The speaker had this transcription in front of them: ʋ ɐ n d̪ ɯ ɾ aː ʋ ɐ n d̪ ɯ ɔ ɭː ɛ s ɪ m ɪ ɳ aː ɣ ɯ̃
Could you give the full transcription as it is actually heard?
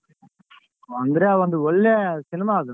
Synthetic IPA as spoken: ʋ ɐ n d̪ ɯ ɾ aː ʋ ɐ n d̪ ɯ ɔ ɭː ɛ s ɪ n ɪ m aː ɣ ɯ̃